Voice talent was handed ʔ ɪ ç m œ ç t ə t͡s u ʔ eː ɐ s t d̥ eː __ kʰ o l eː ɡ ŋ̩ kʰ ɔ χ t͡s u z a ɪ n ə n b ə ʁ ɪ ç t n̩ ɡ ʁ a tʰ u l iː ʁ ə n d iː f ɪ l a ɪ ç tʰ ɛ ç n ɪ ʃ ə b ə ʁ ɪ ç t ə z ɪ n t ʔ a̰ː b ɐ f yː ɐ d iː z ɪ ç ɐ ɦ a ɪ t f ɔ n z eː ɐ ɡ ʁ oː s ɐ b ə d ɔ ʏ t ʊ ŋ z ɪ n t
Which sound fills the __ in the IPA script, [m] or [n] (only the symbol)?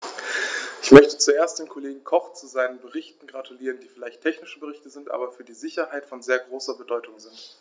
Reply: n